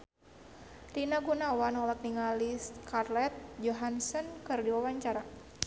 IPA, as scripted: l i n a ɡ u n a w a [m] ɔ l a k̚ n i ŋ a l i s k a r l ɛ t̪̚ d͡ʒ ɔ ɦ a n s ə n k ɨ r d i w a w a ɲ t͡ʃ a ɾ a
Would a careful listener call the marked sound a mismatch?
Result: yes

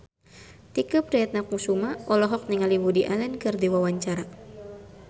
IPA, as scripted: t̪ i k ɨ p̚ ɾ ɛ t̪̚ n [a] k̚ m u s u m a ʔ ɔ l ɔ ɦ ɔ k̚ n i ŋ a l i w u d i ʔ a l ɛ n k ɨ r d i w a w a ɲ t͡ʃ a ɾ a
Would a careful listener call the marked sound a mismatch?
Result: no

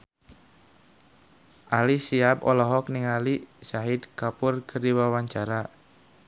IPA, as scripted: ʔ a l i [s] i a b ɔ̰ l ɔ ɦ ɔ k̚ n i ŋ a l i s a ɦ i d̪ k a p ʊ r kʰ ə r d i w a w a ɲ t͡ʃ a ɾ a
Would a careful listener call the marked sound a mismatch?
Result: no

